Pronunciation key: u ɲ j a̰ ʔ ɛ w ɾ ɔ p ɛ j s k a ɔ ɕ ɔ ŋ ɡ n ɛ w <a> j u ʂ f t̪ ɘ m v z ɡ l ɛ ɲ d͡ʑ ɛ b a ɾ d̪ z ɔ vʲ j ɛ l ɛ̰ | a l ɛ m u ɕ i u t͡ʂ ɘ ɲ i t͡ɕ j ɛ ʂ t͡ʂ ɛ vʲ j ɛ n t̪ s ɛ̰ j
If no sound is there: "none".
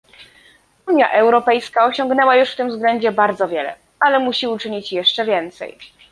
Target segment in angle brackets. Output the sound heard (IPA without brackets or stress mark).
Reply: a